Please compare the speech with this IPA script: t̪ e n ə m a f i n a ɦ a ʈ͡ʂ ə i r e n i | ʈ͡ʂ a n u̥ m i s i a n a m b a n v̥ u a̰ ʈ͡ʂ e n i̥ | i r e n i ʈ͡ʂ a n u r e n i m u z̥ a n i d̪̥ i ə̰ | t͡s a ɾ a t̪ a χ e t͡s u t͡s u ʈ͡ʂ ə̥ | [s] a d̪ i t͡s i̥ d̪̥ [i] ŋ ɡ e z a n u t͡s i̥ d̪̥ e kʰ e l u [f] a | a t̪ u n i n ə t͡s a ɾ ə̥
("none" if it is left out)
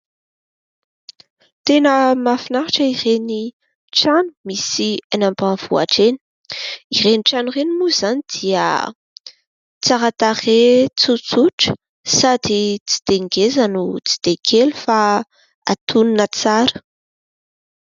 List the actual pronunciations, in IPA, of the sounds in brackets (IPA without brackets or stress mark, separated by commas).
s, e, f